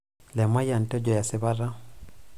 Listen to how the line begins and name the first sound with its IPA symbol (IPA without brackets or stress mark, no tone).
l